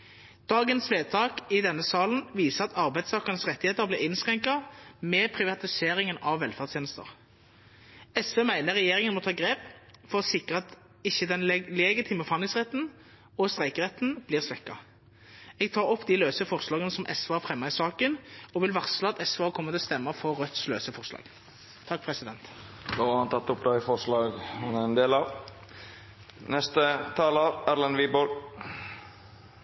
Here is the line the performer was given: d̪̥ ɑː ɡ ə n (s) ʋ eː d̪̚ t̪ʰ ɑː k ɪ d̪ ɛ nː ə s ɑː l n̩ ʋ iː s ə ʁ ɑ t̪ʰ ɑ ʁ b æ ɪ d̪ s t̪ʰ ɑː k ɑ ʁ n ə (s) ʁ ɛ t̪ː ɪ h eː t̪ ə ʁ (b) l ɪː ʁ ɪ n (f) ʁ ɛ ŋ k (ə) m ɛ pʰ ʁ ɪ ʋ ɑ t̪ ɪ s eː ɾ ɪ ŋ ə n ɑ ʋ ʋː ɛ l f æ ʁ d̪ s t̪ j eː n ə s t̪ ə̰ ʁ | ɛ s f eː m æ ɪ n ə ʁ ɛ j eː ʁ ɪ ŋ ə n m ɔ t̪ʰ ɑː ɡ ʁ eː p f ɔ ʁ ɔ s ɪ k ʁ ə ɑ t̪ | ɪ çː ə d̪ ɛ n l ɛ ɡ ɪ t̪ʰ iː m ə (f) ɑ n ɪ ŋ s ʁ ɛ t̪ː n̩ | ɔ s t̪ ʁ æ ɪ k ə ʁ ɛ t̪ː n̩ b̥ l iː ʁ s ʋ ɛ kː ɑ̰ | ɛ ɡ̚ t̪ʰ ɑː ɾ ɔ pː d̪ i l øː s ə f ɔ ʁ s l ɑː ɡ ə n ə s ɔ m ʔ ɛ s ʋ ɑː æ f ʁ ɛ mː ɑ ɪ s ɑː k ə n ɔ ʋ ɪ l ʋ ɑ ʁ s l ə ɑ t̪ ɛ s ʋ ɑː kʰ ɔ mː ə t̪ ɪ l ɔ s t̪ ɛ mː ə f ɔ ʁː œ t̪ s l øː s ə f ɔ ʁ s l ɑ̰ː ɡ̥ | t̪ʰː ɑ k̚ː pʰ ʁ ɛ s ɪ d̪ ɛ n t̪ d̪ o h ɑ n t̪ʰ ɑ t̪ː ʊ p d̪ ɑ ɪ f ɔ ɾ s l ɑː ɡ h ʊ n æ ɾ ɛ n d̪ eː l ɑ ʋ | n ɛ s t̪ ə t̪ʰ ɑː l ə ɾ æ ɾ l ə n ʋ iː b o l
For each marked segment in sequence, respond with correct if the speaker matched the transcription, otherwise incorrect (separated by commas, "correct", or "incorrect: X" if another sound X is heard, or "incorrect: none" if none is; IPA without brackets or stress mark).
correct, correct, correct, incorrect: s, incorrect: ɑ, correct